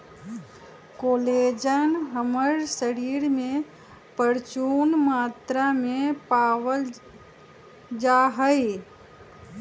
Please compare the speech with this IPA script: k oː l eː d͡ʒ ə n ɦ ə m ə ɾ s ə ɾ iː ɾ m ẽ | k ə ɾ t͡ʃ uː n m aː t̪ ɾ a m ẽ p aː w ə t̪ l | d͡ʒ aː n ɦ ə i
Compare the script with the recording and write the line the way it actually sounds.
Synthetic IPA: k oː l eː d͡ʒ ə n ɦ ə m ə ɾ s ə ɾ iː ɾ m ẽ | p ə ɾ t͡ʃ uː n m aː t̪ ɾ a m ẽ p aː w ə l | d͡ʒ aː ɦ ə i